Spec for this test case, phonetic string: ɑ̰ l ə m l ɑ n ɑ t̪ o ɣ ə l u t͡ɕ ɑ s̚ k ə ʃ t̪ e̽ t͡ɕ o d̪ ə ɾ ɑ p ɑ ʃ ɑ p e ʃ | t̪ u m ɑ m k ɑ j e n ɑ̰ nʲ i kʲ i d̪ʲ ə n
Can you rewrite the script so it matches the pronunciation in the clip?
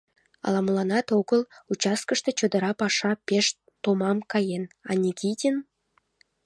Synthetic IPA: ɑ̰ l ɑ m l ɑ n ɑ t̪ o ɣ ə l u t͡ɕ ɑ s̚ k ə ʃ t̪ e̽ t͡ɕ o d̪ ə ɾ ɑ p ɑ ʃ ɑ p e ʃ | t̪ o m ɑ m k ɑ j e n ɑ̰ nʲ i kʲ i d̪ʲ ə n